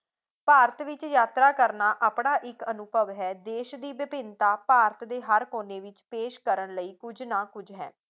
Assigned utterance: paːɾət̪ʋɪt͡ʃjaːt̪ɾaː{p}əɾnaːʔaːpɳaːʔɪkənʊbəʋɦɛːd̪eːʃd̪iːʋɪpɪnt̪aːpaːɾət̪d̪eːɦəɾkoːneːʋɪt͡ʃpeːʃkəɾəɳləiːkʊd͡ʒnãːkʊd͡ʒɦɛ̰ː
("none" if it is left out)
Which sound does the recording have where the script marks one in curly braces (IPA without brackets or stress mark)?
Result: k